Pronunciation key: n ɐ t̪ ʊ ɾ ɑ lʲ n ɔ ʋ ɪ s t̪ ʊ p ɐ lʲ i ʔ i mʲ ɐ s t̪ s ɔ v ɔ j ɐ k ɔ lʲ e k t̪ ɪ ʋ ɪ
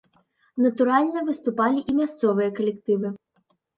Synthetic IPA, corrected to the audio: n ɐ t̪ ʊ ɾ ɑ lʲ n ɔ ʋ ɪ s t̪ ʊ p ɑ lʲ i ʔ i mʲ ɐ s t̪ s ɔ ʋ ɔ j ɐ k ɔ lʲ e k t̪ ɪ ʋ ɪ